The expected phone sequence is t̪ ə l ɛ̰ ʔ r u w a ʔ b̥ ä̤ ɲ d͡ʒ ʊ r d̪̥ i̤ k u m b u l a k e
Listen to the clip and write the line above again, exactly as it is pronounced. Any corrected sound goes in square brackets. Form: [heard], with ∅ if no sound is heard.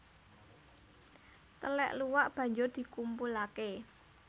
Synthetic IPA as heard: t̪ ə l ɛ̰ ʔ [l] u w a ʔ b̥ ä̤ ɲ d͡ʒ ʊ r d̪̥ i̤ k u m [p] u l a k e

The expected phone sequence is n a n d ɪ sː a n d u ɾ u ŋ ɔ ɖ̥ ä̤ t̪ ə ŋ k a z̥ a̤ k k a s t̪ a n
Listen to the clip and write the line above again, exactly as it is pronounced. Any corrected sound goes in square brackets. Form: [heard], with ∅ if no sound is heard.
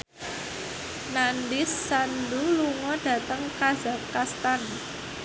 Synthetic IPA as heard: n a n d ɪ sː a n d u [l] u ŋ ɔ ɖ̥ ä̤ t̪ ə ŋ k a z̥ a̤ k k a s t̪ a n

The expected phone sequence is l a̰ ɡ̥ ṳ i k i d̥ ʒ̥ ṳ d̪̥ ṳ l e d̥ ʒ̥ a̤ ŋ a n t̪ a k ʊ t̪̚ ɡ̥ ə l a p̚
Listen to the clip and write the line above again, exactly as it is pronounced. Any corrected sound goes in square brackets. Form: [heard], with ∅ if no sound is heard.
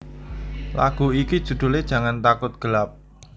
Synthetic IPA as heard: l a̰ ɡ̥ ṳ i k i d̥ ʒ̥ ṳ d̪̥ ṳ l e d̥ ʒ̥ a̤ ŋ a n t̪ a k ʊ t̪̚ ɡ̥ ə l a p̚

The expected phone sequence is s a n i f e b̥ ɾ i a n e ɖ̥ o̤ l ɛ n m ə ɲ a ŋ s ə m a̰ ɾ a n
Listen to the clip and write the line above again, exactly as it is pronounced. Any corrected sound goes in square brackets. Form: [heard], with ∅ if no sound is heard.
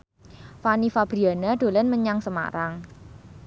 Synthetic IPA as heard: [f] a n i f [a] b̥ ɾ i a n [a] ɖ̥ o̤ l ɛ n m ə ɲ a ŋ s ə m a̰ ɾ a [ŋ]

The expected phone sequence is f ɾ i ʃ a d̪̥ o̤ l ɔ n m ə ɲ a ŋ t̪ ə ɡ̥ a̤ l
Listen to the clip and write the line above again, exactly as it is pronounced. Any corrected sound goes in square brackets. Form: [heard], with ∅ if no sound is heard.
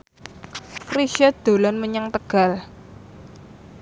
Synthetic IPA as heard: f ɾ i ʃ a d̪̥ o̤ l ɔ n m ə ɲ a ŋ t̪ ə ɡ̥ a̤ l

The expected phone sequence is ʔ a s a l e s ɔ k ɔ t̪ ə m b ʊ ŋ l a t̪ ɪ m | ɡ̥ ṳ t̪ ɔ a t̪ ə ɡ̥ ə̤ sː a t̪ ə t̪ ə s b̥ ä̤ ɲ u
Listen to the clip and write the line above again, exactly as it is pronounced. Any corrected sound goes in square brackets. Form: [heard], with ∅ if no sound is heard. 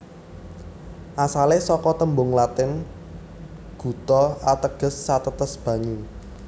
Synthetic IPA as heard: ʔ a s a l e s ɔ k ɔ t̪ ə m b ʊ ŋ l a t̪ ɪ [n] | ɡ̥ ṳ t̪ ɔ a t̪ ə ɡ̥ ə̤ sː a t̪ ə t̪ ə s b̥ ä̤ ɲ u

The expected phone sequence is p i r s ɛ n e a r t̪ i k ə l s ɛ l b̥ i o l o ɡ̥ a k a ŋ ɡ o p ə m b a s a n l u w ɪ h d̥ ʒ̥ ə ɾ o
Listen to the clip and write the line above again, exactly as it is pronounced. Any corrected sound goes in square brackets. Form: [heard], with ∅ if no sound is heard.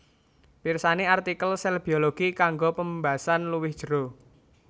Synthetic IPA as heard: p i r s [a] n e a r t̪ i k ə l s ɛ l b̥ i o l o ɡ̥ [i] k a ŋ ɡ o p ə m b a s a n l u w ɪ h d̥ ʒ̥ ə ɾ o

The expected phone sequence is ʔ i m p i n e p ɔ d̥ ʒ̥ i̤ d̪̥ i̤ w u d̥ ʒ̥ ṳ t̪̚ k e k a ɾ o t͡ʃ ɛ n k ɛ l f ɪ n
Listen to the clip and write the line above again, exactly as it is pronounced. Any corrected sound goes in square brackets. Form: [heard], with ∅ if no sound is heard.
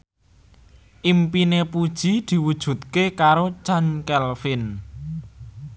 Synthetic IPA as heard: ʔ i m p i n e p [u] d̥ ʒ̥ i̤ d̪̥ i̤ w u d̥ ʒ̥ ṳ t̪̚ k e k a ɾ o t͡ʃ [a] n k ɛ l f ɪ n

